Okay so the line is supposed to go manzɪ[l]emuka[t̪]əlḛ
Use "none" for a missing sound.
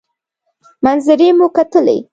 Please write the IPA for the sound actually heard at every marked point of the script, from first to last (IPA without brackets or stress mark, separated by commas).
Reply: ɾ, t̪